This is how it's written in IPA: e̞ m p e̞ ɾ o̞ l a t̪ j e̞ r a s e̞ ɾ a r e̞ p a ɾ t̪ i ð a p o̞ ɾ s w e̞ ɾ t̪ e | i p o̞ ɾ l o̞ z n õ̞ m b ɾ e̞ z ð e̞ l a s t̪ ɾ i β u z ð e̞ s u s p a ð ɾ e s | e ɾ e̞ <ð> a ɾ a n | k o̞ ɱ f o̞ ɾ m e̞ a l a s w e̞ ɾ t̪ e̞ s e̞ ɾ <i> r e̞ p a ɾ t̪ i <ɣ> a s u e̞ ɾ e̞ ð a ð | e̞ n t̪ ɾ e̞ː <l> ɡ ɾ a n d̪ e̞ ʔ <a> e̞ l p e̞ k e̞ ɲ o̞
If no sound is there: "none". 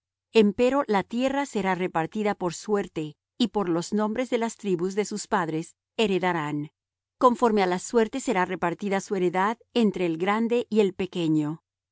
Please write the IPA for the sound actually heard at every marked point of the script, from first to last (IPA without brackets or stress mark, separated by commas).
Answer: ð, a, ð, l, i